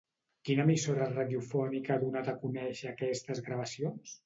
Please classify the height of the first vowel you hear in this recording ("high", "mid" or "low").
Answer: high